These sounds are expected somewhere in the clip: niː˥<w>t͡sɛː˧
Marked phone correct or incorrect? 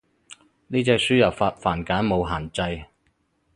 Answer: incorrect